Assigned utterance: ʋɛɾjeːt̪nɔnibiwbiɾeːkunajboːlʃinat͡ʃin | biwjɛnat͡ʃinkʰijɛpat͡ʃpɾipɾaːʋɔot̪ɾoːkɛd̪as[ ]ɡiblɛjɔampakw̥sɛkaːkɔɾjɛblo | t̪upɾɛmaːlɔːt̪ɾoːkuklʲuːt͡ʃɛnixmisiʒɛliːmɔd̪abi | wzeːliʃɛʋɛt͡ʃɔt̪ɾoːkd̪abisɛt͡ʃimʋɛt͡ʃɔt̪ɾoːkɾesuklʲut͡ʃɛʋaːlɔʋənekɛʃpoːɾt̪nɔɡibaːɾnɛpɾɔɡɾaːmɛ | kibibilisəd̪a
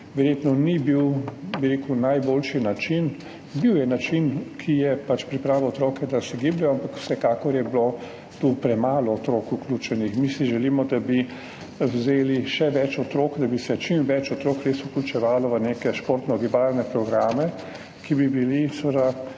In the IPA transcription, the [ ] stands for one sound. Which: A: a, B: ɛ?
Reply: B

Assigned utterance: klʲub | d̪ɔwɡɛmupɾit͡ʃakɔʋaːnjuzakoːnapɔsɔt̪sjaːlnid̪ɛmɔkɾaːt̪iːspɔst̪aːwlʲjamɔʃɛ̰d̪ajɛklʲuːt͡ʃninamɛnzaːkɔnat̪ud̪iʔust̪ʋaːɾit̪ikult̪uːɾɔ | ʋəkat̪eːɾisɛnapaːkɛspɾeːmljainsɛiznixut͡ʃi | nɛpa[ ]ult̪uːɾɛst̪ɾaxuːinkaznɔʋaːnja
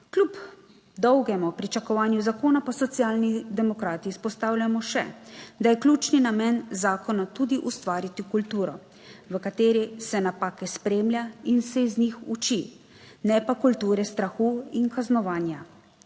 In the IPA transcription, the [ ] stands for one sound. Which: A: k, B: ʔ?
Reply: A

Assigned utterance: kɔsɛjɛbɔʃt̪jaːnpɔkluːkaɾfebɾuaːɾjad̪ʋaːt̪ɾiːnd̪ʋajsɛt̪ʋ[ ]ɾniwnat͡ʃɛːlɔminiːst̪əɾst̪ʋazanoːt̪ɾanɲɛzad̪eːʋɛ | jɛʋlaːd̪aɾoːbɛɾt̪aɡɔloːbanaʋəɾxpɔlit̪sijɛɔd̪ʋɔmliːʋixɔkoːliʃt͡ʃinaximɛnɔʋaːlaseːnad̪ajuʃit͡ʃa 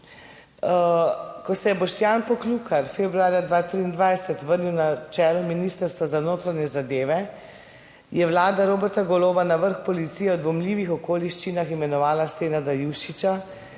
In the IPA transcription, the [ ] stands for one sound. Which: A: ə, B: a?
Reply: A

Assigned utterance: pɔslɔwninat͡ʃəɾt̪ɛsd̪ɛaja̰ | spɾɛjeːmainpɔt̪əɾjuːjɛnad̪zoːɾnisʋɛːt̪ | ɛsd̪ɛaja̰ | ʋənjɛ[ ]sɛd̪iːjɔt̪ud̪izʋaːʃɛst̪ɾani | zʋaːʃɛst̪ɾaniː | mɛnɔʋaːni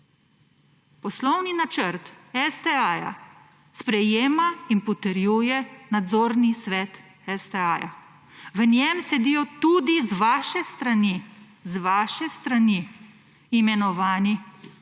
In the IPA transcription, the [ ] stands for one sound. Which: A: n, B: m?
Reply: B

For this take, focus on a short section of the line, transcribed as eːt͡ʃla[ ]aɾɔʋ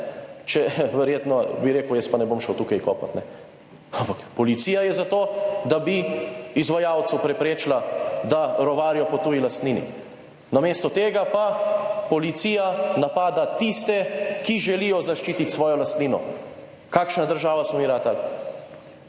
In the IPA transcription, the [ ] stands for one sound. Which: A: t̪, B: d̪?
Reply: B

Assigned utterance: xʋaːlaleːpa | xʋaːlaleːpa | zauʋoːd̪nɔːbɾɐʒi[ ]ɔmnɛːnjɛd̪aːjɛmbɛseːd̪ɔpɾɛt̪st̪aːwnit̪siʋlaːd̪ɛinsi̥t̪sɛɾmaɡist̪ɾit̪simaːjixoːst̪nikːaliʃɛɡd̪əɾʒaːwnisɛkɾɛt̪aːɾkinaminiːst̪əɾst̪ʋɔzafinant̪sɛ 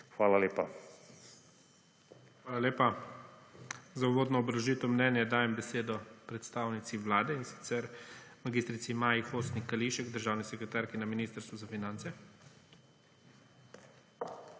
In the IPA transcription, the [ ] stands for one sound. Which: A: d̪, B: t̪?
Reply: B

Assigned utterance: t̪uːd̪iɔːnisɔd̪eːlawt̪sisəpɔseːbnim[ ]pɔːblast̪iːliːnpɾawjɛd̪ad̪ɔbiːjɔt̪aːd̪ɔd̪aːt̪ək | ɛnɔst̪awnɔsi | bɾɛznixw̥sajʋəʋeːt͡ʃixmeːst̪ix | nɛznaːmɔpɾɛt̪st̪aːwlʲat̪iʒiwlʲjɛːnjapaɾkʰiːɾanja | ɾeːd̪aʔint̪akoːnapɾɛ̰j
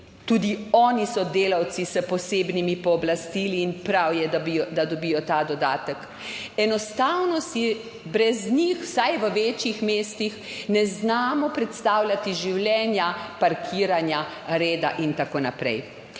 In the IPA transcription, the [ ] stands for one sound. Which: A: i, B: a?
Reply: A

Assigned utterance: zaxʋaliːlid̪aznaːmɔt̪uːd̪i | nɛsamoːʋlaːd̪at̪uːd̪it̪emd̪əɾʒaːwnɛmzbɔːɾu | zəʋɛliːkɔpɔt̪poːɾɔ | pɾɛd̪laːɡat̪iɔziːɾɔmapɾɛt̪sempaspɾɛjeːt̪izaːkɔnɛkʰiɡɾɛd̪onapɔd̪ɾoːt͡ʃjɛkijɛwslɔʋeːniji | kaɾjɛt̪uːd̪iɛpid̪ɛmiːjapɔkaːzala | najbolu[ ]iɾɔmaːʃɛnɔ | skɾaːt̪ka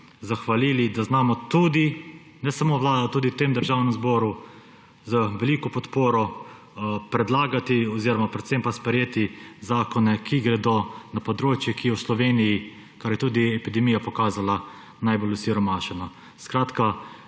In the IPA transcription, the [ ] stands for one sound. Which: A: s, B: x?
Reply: A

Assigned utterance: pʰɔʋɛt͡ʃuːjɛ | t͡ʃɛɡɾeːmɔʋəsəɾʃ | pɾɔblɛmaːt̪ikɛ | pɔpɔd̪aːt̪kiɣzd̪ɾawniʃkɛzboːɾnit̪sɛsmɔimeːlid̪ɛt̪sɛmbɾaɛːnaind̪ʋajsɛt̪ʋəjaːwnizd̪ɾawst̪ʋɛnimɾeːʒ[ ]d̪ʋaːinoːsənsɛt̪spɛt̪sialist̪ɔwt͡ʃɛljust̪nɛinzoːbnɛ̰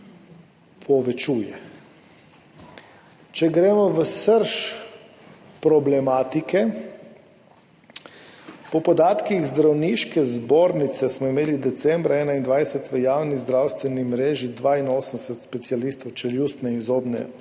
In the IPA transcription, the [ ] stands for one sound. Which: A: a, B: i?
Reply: B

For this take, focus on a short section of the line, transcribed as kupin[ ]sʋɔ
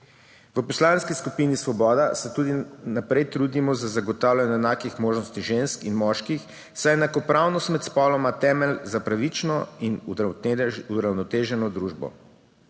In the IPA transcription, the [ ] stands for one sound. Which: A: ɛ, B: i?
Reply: B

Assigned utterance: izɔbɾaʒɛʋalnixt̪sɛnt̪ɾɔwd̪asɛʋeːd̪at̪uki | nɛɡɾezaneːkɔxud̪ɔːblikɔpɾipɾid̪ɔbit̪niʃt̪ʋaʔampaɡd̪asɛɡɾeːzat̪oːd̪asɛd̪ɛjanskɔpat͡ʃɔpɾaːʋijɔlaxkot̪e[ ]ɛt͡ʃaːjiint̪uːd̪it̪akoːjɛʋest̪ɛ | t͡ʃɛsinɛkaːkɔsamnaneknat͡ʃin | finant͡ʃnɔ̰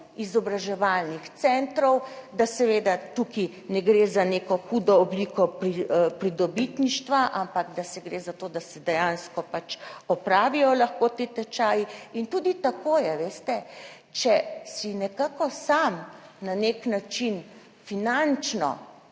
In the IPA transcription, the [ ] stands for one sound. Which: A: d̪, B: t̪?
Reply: B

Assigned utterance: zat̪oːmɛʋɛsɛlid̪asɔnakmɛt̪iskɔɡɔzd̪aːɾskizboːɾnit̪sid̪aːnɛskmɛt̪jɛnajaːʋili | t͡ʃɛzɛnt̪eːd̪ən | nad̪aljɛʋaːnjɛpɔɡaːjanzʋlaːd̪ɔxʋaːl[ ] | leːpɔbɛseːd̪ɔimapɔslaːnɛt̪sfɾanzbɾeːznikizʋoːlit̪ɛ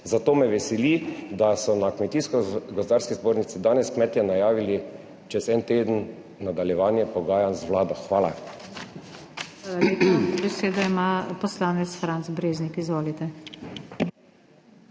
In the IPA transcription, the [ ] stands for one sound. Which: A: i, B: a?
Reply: B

